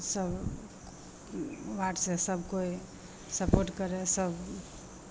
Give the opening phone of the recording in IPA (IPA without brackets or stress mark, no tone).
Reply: s